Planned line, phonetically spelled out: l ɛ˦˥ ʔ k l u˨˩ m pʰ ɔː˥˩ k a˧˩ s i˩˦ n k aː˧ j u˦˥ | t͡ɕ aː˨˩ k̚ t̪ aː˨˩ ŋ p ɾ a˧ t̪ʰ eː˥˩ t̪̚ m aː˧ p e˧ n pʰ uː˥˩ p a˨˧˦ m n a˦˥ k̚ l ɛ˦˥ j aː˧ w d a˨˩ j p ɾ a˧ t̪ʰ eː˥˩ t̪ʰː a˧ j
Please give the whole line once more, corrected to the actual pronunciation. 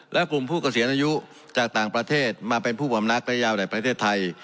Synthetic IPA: l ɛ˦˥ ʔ k l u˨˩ m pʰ uː˥˩ k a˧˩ s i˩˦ n ʔ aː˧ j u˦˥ | t͡ɕ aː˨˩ k̚ t̪ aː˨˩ ŋ p ɾ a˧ t̪ʰ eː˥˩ t̪̚ m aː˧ p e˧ n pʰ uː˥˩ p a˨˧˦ m n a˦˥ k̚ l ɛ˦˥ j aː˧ w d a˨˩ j p ɾ a˧ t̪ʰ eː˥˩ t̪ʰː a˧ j